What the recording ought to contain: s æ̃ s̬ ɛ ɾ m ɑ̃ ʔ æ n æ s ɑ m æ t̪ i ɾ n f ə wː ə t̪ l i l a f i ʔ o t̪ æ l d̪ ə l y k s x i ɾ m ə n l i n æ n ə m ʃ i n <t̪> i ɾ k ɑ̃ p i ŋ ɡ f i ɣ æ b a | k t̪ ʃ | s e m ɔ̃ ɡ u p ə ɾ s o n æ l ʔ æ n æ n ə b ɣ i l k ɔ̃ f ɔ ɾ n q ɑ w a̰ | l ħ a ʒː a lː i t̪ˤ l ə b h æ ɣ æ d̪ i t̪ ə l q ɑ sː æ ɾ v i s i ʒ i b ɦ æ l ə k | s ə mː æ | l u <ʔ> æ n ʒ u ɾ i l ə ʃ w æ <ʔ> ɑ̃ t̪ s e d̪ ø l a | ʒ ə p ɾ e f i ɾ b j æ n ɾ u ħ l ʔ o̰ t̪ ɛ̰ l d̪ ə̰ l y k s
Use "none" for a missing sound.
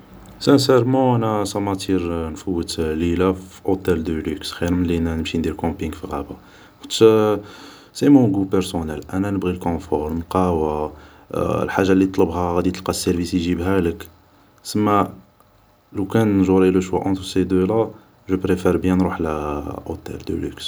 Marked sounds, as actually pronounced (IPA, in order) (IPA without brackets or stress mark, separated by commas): d̪, k, ʔ